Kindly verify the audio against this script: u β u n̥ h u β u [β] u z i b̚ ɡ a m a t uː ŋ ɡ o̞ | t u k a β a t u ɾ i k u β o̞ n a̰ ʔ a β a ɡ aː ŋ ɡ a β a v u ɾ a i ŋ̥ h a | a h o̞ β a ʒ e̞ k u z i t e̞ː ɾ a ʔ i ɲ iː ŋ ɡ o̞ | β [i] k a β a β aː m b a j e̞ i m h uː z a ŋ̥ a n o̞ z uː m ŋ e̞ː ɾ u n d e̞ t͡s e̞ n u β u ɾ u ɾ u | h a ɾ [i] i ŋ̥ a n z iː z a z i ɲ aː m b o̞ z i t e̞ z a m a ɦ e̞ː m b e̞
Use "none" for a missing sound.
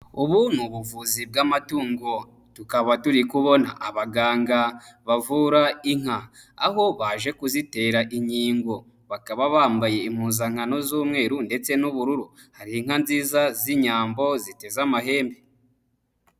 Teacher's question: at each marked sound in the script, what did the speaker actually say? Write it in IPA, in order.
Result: v, a, i

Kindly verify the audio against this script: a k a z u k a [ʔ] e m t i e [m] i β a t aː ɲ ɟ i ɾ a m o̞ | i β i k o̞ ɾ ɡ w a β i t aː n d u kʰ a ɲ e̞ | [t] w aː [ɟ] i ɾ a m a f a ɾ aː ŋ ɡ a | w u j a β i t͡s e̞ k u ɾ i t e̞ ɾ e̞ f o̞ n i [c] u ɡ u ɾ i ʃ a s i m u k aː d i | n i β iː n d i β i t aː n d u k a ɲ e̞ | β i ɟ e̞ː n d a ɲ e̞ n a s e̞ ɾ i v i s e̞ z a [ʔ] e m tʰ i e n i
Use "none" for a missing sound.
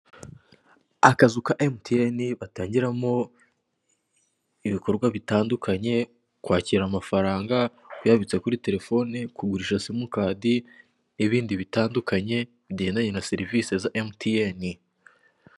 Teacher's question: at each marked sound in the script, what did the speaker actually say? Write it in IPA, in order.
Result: ʔ, n, k, c, k, ʔ

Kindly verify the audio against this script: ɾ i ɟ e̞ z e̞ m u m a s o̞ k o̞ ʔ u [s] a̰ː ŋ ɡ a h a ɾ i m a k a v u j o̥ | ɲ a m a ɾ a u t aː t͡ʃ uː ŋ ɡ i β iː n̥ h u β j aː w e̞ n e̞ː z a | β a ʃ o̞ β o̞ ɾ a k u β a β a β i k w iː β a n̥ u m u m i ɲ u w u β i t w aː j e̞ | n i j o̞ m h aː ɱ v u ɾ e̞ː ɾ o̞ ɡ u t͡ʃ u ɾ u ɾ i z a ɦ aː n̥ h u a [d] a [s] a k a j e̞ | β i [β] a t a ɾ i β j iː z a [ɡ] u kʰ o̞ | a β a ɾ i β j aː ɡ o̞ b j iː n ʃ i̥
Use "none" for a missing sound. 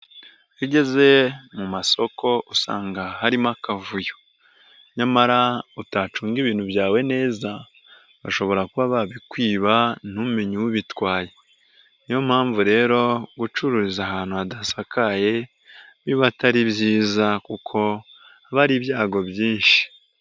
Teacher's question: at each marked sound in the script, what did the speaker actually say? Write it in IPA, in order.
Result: s, d, s, β, k

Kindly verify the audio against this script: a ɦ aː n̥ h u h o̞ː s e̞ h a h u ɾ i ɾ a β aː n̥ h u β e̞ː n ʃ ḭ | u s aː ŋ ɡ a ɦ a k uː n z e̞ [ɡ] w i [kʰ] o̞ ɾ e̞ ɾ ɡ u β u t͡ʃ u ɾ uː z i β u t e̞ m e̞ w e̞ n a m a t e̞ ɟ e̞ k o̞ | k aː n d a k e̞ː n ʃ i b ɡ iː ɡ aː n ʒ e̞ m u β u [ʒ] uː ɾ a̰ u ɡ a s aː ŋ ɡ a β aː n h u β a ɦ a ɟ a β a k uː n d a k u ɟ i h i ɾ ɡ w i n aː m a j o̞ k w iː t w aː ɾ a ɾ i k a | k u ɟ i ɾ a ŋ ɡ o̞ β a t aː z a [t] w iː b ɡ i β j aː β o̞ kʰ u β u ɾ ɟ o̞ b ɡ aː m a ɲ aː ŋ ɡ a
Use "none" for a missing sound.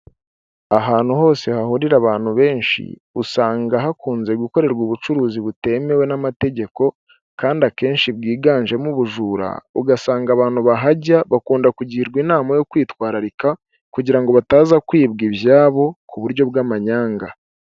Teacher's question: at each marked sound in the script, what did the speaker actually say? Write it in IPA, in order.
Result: ɡ, k, ʒ, k

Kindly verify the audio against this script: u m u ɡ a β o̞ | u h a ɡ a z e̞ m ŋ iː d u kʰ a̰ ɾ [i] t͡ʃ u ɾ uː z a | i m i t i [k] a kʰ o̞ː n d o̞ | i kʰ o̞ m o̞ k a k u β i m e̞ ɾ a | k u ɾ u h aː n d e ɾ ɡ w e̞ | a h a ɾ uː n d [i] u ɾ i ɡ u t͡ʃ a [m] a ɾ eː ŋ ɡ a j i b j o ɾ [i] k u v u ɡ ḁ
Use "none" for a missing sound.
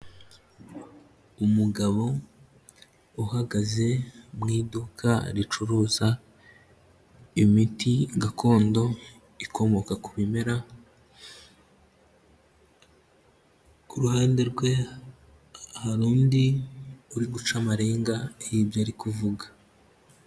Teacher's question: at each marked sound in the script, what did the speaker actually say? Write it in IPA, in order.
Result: i, ɡ, i, m, i

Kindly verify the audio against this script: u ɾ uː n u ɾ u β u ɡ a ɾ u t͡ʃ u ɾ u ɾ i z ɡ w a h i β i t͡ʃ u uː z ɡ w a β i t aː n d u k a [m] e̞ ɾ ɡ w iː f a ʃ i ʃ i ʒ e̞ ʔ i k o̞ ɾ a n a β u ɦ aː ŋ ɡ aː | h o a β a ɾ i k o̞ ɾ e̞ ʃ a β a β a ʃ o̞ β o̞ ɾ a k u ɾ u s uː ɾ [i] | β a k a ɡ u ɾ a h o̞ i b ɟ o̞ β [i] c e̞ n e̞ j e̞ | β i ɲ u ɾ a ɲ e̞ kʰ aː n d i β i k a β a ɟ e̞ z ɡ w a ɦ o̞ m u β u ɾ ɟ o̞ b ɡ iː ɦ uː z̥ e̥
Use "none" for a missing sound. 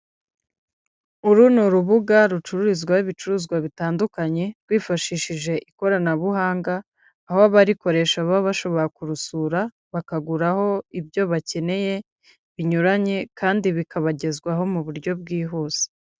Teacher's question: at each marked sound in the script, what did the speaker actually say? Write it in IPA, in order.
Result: ɲ, a, a

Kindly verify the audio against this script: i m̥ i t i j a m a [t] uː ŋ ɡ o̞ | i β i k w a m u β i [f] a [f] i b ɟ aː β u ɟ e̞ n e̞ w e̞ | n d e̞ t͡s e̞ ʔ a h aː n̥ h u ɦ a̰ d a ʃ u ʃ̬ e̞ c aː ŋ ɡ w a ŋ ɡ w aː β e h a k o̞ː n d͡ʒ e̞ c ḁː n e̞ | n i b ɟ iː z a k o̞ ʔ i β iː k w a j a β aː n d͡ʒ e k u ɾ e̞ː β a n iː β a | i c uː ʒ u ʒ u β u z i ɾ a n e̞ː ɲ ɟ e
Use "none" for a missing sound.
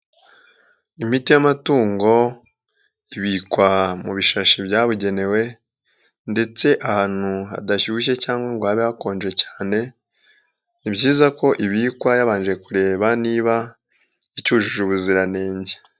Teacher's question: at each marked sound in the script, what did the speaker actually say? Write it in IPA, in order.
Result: t, ʃ, ʃ

